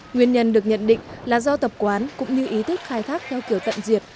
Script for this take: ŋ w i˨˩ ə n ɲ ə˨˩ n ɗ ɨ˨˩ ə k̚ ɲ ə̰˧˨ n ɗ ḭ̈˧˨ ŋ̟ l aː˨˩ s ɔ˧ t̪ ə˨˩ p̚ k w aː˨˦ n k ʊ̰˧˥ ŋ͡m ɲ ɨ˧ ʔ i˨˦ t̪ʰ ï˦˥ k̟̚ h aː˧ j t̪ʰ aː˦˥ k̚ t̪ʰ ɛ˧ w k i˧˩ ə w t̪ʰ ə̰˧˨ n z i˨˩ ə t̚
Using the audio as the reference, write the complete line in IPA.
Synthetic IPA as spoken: ŋ w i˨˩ ə n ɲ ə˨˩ n ɗ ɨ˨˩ ə k̚ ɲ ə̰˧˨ n ɗ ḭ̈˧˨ ŋ̟ l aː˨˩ z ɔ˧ t̪ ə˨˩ p̚ k w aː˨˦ n k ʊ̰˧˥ ŋ͡m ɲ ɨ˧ ʔ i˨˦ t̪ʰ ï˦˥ k̟̚ x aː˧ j t̪ʰ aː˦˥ k̚ t̪ʰ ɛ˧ w k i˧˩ ə w t̪ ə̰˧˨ n z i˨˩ ə t̚

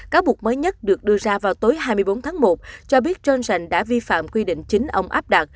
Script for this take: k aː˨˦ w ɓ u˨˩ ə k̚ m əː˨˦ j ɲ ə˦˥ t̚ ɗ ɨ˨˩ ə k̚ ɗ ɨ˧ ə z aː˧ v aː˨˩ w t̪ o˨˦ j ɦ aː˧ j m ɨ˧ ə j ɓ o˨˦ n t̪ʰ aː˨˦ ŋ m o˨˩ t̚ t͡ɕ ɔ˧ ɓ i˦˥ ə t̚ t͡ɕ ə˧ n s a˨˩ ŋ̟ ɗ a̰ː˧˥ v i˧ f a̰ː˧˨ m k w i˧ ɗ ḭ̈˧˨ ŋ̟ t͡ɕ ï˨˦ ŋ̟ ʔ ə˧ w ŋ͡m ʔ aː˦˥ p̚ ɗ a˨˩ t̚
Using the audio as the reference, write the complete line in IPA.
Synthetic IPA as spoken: k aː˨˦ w ɓ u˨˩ ə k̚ m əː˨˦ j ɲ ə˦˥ t̚ ɗ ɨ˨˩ ə k̚ ɗ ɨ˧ ə z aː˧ v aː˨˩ w t̪ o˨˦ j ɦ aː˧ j m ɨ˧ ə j ɓ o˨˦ n t̪ʰ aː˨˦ ŋ m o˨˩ t̚ t͡ɕ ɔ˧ ɓ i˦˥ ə t̚ t͡ɕ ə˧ n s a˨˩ ŋ̟ ɗ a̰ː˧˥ v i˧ f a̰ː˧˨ m k w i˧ ɗ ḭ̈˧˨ ŋ̟ t͡ɕ ï˨˦ ŋ̟ ʔ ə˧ w ŋ͡m ʔ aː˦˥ p̚ ɗ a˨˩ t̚

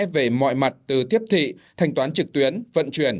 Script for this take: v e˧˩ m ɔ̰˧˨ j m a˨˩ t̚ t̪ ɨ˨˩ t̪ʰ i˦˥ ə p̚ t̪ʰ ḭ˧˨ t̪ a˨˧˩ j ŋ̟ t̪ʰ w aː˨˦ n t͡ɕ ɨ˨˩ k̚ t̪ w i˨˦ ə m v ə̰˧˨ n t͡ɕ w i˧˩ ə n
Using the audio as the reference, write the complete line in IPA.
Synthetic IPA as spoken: v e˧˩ m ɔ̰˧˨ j m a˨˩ t̚ t̪ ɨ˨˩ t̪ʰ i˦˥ ə p̚ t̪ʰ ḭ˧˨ t̪ʰ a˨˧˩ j ŋ̟ t̪ w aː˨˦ n t͡ɕ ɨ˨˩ k̚ t̪ w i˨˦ ə n v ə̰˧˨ n t͡ɕ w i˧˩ ə n

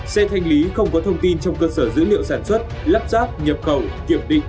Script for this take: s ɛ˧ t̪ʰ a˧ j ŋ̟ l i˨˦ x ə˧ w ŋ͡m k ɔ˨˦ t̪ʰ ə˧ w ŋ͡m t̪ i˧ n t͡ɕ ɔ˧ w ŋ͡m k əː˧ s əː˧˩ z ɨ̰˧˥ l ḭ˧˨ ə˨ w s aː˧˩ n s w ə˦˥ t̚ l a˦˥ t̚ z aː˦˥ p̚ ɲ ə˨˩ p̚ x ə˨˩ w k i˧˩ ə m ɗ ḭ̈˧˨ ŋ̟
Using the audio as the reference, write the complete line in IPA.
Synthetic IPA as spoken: s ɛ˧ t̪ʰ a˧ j ŋ̟ l i˨˦ x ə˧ w ŋ͡m k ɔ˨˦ t̪ʰ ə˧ w ŋ͡m t̪ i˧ n t͡ɕ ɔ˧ w ŋ͡m k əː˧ s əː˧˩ z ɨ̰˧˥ l ḭ˧˨ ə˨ w s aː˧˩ n s w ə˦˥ t̚ l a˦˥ p̚ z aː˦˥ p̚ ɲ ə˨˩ p̚ x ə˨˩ w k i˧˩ ə m ɗ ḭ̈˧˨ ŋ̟

